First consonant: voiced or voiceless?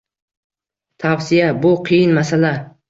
voiceless